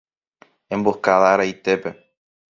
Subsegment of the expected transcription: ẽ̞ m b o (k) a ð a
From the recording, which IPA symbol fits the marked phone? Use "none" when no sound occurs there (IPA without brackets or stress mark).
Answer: k